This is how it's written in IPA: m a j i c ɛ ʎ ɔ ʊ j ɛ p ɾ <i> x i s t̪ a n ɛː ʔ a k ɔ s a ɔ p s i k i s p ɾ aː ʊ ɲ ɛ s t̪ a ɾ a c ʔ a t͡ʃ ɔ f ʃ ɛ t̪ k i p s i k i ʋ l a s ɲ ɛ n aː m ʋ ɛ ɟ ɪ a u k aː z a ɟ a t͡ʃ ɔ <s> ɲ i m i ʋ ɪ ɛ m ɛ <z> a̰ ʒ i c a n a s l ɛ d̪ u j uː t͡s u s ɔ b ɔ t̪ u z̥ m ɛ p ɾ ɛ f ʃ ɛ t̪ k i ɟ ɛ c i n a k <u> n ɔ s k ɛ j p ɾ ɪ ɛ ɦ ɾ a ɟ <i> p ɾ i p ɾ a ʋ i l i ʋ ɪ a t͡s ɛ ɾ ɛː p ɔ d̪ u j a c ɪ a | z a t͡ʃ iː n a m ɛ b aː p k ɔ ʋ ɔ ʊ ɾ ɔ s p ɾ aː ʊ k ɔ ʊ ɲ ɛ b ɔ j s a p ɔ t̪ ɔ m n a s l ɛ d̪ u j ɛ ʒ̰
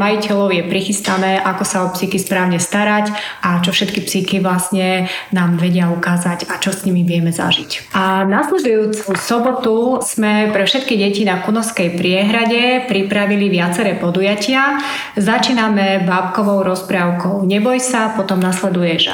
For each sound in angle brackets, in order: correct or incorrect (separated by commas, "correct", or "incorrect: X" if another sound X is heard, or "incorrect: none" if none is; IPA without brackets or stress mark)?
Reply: correct, correct, correct, correct, incorrect: ɛ